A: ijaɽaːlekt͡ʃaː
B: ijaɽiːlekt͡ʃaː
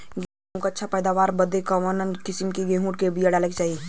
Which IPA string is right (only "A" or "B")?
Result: A